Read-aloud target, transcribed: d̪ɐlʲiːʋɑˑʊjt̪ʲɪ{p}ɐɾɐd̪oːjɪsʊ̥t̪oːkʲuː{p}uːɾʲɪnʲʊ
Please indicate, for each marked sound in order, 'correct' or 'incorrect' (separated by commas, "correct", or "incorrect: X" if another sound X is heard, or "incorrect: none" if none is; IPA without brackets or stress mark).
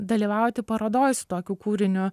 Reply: correct, incorrect: k